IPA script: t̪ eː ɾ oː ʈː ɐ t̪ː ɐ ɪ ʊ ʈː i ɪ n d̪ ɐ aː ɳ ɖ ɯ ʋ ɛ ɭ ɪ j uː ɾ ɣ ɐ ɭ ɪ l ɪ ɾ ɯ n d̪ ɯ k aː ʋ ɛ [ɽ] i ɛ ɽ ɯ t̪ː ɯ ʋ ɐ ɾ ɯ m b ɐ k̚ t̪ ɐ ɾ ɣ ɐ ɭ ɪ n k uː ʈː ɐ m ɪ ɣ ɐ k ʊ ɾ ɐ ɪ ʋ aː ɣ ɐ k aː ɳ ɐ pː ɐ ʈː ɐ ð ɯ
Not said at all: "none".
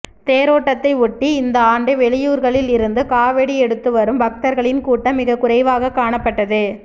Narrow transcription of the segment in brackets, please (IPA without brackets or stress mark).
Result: ɽ